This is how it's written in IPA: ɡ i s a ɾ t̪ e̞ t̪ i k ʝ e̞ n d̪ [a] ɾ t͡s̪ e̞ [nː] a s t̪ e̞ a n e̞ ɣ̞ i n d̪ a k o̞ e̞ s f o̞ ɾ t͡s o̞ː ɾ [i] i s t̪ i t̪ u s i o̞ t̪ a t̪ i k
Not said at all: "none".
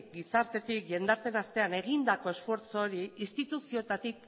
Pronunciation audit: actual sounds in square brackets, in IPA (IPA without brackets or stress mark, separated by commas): a, n, i